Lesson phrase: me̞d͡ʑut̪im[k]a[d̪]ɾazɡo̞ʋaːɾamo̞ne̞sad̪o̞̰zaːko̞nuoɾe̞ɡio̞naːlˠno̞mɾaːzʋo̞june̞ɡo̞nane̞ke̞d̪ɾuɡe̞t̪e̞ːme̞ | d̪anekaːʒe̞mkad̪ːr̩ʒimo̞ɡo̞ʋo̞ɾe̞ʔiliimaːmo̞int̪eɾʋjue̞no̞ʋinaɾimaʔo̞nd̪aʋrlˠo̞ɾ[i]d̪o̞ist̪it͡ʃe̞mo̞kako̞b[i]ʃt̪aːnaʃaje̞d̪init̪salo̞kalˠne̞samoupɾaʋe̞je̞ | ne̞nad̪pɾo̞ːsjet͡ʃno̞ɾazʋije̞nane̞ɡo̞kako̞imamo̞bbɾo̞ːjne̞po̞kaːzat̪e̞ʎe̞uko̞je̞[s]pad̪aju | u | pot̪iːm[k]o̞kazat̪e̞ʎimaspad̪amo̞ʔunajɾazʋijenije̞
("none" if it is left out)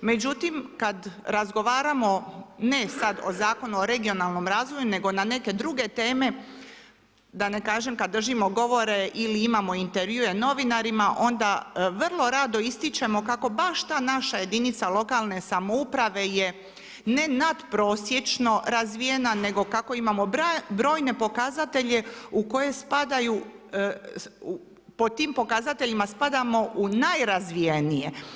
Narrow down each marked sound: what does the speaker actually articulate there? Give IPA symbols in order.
k, d̪, a, a, s, p

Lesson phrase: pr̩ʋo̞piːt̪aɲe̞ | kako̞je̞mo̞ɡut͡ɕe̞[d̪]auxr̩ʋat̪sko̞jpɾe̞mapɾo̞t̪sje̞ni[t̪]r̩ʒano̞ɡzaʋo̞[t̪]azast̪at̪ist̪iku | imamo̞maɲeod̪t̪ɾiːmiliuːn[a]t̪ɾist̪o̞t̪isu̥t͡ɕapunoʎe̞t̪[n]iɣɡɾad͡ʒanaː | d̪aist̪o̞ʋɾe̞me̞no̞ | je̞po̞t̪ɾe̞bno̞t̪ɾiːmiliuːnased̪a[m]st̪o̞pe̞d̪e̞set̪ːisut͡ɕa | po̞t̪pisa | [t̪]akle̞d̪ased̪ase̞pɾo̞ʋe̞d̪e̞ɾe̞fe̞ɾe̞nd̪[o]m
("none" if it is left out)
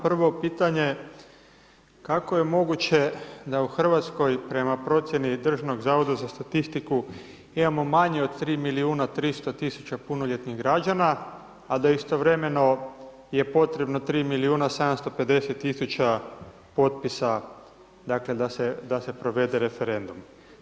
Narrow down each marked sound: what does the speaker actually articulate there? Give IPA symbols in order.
d̪, d̪, d̪, a, n, m, d̪, u

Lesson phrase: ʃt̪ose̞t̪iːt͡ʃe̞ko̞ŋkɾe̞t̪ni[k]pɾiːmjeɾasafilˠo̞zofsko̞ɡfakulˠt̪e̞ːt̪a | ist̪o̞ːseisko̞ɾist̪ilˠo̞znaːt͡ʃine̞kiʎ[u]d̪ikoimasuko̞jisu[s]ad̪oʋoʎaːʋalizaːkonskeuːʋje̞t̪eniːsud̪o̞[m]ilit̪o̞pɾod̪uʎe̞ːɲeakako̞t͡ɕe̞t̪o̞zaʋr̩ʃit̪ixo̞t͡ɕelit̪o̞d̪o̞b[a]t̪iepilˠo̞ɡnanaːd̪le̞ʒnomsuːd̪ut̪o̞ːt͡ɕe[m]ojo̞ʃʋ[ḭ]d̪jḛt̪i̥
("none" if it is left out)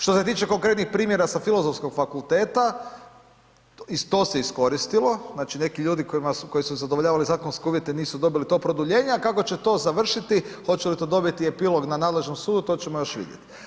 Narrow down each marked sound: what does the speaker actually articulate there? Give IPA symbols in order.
x, uː, z, b, i, m, ḭ

